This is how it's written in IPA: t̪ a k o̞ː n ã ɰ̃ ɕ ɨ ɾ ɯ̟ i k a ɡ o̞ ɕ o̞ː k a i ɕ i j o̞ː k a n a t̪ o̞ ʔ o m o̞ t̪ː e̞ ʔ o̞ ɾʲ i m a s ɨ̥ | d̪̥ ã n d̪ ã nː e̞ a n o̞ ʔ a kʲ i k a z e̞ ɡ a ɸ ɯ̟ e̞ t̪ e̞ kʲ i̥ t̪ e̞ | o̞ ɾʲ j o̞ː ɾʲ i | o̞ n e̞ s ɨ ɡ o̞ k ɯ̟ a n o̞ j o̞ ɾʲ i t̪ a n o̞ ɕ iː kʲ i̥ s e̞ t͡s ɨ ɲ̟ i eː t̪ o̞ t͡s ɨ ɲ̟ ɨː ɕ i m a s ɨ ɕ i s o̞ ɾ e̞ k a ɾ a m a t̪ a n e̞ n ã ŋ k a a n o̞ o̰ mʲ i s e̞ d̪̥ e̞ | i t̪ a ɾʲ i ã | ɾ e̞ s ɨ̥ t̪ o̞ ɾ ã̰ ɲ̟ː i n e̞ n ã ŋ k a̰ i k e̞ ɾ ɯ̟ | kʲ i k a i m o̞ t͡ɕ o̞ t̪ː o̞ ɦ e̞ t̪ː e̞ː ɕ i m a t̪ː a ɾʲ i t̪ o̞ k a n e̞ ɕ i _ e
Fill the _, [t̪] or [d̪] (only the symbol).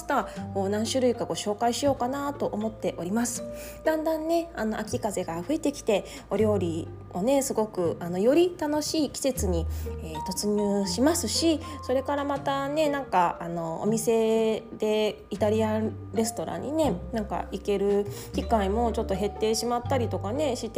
t̪